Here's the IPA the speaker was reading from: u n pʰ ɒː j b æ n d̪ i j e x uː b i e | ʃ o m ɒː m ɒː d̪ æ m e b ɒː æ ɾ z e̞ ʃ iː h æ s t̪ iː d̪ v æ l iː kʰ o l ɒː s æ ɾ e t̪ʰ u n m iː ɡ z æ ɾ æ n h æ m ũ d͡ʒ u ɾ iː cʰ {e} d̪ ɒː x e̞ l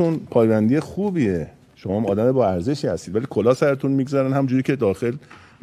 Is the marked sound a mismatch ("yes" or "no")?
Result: no